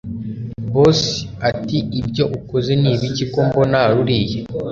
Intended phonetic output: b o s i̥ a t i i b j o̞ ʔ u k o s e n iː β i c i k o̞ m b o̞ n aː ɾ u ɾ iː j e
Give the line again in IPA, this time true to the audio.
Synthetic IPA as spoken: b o s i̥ a t i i b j o̞ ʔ u k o z e n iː β i c i k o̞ m b o̞ n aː ɾ u ɾ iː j e